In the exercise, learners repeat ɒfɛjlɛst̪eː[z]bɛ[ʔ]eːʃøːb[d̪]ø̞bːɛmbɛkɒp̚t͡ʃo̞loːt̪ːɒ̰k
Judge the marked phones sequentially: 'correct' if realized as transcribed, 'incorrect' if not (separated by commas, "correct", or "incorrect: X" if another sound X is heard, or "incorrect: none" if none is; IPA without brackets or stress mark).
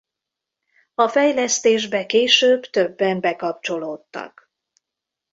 incorrect: ʒ, incorrect: k, incorrect: t̪